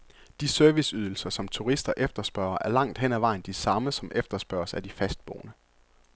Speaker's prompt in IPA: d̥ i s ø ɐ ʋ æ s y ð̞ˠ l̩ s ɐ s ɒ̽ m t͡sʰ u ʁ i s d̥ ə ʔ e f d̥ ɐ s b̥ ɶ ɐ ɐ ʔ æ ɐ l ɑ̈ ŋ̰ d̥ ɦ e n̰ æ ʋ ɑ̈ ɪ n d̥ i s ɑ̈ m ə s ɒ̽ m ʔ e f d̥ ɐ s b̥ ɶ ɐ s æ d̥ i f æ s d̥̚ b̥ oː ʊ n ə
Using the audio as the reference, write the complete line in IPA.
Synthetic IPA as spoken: d̥ i s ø ɐ ʋ i s y ð̞ˠ l̩ s ɐ s ɒ̽ m t͡sʰ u ʁ i s d̥ ɐ ʔ e f d̥ ɐ s b̥ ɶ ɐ ɐ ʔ æ ɐ l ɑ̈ ŋ̰ d̥ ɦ e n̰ æ ʋ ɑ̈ ɪ n d̥ i s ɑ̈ m ə s ɒ̽ m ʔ e f d̥ ɐ s b̥ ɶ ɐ s æ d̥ i f æ s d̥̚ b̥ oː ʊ n ə